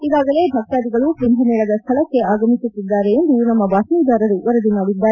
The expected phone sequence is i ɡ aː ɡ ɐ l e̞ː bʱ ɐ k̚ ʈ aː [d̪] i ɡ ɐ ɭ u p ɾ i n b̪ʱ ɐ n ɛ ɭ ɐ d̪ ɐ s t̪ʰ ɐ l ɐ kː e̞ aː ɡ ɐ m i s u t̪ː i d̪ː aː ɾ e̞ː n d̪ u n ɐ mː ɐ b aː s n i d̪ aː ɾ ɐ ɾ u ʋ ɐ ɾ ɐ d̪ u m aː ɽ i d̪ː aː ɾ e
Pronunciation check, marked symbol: correct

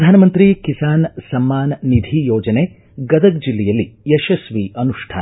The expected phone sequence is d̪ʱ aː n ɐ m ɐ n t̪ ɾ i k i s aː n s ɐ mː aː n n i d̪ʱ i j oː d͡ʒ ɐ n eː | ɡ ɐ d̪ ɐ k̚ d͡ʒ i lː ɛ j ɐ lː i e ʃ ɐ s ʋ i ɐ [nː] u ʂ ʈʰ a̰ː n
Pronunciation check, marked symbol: incorrect: n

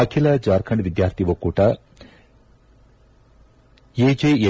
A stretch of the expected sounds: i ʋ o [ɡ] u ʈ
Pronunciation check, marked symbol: incorrect: k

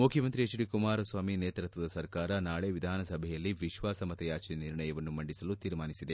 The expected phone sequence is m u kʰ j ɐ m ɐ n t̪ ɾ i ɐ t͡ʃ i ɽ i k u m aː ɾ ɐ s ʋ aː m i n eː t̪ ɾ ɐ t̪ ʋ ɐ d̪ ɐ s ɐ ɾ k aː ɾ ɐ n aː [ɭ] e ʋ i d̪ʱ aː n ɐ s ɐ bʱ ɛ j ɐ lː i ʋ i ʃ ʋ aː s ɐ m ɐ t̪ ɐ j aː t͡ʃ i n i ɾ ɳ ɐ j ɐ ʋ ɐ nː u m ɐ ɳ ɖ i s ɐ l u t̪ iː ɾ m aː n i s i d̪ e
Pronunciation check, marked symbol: correct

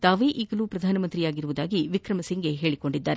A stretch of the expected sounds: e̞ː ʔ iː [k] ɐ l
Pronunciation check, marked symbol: incorrect: ɡ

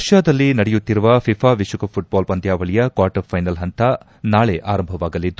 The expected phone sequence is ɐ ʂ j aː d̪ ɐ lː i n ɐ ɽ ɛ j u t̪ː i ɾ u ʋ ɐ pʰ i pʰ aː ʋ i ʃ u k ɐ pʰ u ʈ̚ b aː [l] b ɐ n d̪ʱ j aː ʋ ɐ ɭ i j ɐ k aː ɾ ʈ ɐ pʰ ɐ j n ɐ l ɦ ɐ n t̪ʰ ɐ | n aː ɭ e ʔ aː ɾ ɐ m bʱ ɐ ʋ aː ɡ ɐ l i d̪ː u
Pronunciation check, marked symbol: correct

